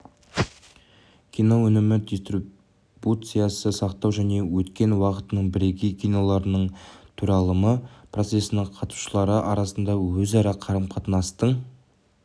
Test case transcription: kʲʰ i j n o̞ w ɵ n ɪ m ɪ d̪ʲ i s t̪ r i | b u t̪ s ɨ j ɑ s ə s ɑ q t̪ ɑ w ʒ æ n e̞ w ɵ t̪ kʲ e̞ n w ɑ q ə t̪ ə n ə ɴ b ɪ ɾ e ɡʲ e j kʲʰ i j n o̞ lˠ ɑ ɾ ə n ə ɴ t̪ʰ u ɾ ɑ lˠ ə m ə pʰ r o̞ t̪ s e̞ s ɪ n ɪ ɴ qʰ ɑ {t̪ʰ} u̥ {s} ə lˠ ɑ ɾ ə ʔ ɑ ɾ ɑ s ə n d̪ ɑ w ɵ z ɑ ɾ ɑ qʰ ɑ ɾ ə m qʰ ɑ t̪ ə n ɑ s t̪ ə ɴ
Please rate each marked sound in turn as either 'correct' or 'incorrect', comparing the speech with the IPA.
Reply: incorrect, incorrect

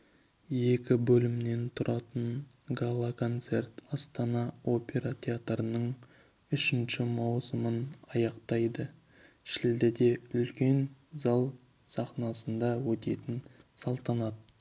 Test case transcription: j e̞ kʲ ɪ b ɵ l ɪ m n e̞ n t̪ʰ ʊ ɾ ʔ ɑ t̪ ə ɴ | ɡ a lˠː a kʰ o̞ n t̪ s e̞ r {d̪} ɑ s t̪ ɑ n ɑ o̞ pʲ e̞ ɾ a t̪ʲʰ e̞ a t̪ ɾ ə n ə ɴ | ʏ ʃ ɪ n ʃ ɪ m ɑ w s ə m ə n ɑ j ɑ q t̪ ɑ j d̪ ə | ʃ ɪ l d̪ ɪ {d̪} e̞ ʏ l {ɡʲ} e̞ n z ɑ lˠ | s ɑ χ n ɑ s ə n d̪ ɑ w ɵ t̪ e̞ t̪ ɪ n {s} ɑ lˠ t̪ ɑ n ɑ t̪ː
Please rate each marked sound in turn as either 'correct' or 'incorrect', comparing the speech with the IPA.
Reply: incorrect, correct, incorrect, correct

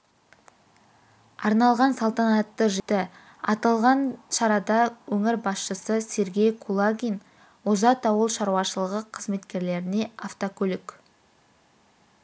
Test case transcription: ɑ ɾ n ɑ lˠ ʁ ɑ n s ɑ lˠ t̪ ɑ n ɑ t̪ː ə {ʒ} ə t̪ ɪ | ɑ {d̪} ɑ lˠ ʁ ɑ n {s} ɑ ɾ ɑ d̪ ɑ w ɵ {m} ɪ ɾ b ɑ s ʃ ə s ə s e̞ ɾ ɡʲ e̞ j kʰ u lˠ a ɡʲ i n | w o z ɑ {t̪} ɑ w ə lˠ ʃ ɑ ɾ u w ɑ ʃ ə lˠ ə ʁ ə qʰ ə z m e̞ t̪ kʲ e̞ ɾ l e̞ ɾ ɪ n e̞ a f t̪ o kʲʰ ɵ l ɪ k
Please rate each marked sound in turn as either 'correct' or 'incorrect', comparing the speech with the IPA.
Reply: correct, incorrect, incorrect, incorrect, correct

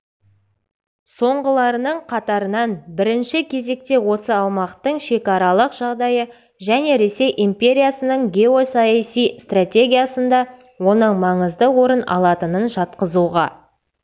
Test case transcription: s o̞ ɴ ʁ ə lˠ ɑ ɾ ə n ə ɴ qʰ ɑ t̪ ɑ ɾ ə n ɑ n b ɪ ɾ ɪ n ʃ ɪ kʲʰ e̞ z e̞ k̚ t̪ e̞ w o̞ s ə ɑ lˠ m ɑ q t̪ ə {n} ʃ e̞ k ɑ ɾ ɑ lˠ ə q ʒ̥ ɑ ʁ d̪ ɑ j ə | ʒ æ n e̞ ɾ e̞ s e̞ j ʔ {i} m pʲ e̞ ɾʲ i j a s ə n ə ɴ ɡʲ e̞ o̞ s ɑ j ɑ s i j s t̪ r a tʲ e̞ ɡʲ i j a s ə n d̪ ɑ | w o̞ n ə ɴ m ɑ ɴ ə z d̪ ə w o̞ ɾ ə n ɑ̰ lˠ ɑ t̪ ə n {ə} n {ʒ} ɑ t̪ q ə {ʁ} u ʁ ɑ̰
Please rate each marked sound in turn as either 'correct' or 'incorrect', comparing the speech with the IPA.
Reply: incorrect, correct, correct, correct, incorrect

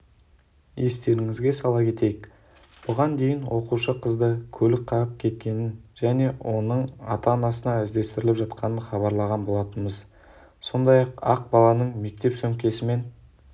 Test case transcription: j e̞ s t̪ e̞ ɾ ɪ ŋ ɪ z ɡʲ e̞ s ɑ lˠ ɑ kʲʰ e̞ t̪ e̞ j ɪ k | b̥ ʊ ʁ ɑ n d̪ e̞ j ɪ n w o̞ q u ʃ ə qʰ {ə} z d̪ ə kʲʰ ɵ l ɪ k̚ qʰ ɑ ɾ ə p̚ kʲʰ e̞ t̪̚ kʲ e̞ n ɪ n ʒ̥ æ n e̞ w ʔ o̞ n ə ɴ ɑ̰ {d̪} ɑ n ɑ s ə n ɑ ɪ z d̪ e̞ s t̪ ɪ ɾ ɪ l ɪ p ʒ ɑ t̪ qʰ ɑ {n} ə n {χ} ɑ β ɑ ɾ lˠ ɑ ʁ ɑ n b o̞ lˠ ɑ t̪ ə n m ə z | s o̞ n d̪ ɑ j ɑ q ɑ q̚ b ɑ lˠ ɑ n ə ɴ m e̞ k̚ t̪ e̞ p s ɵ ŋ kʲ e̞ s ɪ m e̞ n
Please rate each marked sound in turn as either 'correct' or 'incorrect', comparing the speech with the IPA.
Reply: correct, incorrect, correct, correct

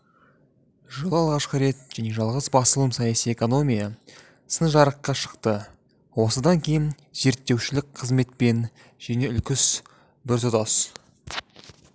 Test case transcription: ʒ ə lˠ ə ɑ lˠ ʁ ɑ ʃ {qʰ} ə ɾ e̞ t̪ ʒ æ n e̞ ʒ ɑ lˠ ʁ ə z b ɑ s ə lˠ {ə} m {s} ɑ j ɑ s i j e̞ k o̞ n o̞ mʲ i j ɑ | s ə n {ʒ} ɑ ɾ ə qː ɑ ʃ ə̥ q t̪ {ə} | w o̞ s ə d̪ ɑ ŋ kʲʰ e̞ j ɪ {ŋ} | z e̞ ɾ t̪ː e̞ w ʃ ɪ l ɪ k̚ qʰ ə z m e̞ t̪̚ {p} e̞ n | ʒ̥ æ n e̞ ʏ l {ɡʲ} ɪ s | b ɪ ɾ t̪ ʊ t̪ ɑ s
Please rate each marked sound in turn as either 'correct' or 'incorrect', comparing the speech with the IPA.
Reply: incorrect, correct, correct, correct, correct, incorrect, correct, incorrect

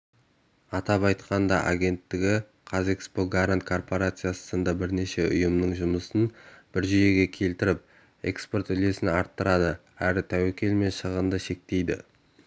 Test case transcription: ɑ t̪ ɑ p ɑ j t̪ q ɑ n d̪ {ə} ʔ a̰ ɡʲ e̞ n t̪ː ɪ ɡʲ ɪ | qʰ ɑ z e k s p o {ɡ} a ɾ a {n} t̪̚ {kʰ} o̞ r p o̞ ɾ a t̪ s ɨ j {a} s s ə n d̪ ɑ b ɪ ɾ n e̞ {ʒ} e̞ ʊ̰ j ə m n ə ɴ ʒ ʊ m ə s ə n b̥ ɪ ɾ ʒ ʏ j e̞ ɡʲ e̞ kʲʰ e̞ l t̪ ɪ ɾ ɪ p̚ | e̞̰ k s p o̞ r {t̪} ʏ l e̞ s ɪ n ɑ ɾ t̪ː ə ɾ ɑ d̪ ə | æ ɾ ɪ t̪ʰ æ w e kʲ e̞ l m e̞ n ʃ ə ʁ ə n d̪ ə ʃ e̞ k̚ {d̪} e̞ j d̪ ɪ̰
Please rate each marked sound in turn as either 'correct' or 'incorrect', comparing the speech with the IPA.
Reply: incorrect, correct, correct, correct, correct, incorrect, correct, incorrect

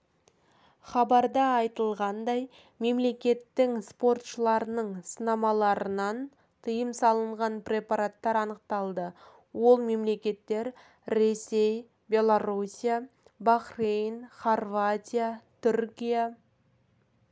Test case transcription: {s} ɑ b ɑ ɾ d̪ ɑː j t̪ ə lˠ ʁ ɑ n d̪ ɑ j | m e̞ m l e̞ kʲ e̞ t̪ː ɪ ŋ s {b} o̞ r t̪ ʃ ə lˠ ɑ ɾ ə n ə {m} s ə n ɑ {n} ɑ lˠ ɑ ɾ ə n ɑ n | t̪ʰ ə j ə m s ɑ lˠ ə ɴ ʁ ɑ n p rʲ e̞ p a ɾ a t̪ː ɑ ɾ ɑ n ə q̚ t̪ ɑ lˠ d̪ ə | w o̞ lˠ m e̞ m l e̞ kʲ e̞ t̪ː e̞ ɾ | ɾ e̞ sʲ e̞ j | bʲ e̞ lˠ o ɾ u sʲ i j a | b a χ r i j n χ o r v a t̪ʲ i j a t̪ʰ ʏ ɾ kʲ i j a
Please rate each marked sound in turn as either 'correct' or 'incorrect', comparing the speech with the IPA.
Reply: incorrect, incorrect, incorrect, incorrect

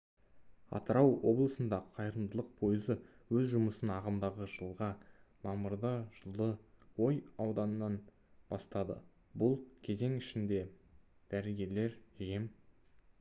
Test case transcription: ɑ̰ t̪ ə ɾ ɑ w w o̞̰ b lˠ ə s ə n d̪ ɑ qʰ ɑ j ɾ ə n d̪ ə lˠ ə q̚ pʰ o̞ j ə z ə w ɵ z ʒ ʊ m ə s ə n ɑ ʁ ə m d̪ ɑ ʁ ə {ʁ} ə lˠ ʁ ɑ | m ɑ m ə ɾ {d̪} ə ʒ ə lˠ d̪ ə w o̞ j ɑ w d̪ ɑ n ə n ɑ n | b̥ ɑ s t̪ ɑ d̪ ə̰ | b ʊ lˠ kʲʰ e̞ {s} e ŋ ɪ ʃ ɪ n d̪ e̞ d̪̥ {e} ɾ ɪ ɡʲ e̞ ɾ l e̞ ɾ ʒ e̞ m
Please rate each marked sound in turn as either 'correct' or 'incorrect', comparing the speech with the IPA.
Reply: incorrect, correct, incorrect, incorrect

